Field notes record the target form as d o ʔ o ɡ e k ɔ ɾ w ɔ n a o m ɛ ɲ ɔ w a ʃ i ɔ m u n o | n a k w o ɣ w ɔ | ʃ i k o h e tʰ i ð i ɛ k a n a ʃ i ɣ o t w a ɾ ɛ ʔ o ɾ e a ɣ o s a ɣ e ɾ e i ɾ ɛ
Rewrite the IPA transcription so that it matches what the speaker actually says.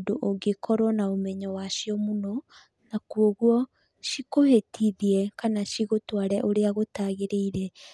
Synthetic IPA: d o ʔ o ɡ e k ɔ ɾ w ɔ n a o m ɛ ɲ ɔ w a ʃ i ɔ m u n ɔ | n a k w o ɣ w ɔ | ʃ i k o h e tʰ i ð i ɛ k a n a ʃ i ɣ o t w a ɾ ɛ ʔ o ɾ e a ɣ o t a ɣ e ɾ e i ɾ ɛ